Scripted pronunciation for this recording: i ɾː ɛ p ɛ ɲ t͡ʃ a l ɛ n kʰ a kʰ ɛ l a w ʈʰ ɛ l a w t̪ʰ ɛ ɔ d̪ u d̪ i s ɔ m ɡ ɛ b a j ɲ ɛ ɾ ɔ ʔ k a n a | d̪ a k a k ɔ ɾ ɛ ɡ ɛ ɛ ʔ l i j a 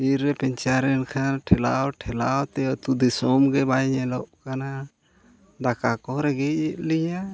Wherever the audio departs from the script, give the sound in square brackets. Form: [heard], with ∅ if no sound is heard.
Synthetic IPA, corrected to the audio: i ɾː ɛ p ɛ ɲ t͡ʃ a [ɾ] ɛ n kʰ a [ʈʰ] ɛ l a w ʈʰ ɛ l a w [t̪] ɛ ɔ [t̪] u d̪ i s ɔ m ɡ ɛ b a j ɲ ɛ [l] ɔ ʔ k a n a | d̪ a k a k ɔ ɾ ɛ ɡ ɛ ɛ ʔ l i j a